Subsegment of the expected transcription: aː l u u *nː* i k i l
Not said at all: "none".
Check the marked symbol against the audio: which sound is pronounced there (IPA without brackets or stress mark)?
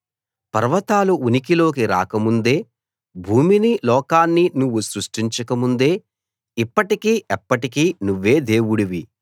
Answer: n